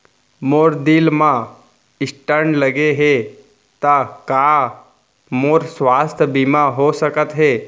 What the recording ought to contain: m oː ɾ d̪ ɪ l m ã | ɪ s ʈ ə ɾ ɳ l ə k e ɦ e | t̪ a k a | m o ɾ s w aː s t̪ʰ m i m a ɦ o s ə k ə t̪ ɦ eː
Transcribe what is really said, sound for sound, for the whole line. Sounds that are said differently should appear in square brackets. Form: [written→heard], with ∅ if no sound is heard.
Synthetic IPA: m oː ɾ d̪ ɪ l m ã | ɪ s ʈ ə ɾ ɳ l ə [k→ɡ] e ɦ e | t̪ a k a | m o ɾ s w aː s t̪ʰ [m→b] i m a ɦ o s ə k ə t̪ ɦ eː